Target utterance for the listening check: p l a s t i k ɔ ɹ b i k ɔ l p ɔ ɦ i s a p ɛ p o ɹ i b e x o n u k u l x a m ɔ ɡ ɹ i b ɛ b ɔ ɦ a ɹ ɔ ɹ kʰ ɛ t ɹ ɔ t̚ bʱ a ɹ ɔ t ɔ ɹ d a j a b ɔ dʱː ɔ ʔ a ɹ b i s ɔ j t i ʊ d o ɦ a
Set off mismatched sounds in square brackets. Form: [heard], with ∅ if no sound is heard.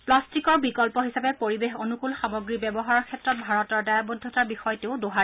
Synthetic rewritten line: p l a s t i k ɔ ɹ b i k ɔ l p ɔ ɦ i s a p ɛ p o ɹ i b e x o n u k u l x a m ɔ ɡ ɹ i b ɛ b ɔ ɦ a ɹ ɔ ɹ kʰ ɛ t ɹ ɔ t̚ bʱ a ɹ ɔ t ɔ ɹ d a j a b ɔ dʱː ɔ [t] a ɹ b i [x] ɔ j t [e] ʊ d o ɦ a